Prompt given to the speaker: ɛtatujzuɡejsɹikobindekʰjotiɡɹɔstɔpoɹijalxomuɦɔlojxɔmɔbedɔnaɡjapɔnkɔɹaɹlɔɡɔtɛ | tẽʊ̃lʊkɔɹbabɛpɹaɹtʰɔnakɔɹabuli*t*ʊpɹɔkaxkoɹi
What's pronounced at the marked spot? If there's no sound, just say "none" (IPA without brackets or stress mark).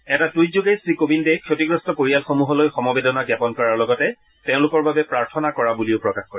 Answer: none